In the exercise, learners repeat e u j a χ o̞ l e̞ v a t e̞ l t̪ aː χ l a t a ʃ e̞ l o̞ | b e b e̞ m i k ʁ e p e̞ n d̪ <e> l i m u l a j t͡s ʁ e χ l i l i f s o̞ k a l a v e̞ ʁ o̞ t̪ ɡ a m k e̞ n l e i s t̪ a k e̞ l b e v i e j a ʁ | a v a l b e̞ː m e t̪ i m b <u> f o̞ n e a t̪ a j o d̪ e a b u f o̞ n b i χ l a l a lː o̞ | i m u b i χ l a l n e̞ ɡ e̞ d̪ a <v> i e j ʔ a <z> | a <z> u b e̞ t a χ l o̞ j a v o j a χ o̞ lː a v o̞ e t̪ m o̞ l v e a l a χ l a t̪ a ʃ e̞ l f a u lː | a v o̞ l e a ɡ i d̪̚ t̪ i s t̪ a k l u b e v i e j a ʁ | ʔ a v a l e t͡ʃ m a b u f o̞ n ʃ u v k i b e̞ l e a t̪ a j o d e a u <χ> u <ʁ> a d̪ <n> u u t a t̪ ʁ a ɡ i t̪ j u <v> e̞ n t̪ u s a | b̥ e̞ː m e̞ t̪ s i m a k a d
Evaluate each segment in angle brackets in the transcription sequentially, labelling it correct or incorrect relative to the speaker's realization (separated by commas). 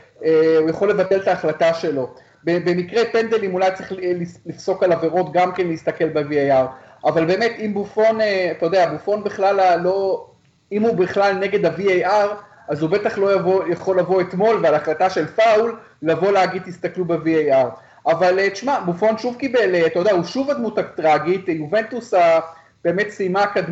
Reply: correct, correct, correct, incorrect, correct, incorrect, incorrect, incorrect, correct